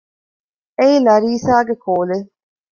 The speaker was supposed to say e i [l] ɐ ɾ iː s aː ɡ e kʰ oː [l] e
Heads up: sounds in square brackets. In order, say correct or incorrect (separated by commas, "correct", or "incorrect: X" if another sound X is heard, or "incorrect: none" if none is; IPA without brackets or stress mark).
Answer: correct, correct